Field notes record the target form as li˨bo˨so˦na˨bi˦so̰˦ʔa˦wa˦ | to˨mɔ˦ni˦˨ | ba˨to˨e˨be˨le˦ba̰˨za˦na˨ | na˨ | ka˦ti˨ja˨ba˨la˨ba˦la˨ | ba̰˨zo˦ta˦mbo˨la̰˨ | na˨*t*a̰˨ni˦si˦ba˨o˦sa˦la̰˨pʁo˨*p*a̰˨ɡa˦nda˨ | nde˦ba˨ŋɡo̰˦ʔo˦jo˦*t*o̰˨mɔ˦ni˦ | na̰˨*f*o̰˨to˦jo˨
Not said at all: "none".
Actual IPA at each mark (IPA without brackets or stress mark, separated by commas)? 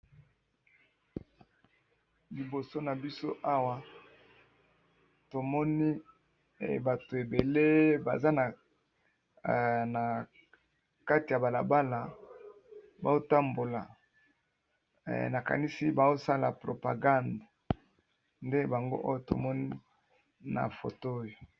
k, p, t, f